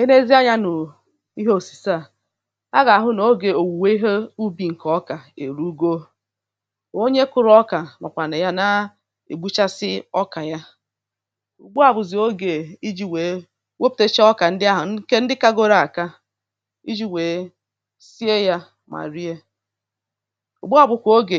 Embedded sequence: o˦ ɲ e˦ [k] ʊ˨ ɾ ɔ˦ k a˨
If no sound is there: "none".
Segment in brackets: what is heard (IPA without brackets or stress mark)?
k